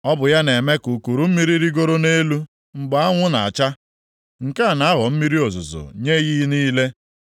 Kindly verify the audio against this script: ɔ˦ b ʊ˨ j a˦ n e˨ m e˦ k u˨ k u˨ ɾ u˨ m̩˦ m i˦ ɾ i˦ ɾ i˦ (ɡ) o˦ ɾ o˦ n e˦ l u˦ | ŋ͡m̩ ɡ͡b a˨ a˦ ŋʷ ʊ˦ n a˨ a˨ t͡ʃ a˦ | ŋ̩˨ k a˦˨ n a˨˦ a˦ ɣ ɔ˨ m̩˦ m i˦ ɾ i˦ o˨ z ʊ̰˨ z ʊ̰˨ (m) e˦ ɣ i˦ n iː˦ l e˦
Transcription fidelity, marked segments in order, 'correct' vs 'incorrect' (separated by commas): correct, incorrect